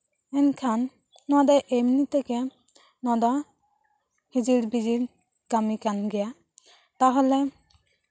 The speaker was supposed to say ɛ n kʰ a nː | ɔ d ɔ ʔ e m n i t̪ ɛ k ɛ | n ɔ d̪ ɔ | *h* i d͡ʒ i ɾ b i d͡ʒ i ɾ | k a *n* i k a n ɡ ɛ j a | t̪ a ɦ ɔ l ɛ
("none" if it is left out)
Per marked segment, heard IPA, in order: h, m

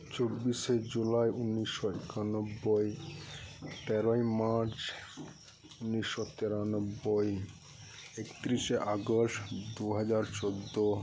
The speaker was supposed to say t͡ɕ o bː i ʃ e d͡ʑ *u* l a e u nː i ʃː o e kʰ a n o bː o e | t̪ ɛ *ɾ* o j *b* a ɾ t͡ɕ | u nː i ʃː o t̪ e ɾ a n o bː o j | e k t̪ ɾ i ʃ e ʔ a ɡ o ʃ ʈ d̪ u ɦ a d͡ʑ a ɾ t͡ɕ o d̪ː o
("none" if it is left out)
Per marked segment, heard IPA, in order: u, ɾ, m

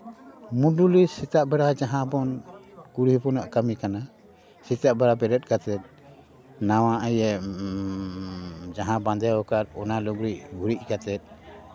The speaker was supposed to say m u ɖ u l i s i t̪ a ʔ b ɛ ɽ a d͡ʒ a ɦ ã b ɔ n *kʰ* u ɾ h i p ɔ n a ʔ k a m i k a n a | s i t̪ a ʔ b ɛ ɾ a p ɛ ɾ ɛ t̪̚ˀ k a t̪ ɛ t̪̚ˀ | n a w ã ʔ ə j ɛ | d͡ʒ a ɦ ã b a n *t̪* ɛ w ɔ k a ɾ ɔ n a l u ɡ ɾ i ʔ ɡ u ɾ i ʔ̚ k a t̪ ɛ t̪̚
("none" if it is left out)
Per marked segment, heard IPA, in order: k, d̪

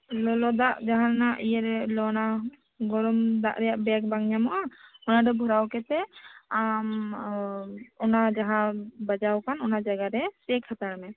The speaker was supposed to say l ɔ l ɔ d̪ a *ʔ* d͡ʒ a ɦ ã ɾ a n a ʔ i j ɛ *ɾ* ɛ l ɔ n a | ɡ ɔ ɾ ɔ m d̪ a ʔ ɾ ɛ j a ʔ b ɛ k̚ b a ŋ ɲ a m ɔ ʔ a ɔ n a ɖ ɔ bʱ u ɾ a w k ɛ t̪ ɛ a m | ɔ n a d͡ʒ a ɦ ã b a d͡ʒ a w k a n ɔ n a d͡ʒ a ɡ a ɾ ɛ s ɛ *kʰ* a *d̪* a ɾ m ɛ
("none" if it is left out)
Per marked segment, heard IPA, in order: ʔ, ɾ, kʰ, t̪

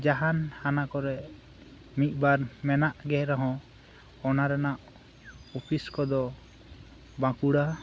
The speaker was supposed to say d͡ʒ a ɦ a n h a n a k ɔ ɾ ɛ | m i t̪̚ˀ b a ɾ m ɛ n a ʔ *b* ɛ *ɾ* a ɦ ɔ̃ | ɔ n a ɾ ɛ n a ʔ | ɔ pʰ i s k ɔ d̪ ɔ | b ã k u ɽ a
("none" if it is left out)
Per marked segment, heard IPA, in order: ɡ, ɾ

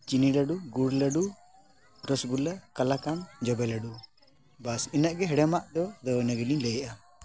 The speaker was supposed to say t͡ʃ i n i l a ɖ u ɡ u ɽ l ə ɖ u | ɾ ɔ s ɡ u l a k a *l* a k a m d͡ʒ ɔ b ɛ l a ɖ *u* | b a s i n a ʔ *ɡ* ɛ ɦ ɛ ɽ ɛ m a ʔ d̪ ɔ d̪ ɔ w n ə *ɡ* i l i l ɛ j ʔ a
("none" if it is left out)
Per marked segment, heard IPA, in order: l, u, ɡ, ɡ

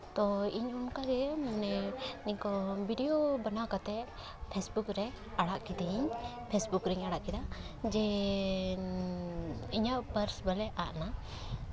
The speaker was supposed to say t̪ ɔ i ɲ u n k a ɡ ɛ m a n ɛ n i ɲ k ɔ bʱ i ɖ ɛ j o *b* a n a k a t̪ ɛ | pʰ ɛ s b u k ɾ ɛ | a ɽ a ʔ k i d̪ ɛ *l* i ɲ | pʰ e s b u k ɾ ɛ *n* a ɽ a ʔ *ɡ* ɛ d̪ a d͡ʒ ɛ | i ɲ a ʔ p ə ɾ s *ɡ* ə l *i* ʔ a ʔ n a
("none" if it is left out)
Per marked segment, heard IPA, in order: b, none, ɲ, k, b, ɛ

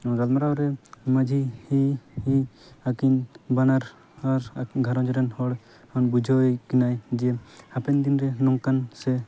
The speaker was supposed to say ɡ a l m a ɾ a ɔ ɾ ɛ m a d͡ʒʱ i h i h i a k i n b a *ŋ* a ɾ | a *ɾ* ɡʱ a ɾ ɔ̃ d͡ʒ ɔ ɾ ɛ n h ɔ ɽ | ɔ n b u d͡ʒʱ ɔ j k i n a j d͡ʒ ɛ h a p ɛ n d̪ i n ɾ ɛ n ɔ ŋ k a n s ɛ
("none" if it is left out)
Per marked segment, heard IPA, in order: n, ɾ

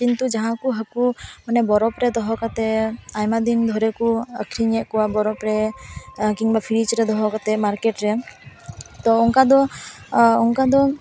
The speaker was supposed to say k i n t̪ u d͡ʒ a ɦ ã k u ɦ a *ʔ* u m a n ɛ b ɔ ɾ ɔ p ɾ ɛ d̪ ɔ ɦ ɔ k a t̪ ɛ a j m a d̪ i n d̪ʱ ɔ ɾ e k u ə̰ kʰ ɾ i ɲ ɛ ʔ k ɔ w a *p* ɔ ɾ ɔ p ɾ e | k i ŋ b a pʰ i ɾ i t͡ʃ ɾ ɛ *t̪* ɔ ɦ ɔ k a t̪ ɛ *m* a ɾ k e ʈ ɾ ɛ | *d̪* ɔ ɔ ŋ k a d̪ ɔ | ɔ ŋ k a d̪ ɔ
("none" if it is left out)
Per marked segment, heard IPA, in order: k, b, d̪, m, t̪

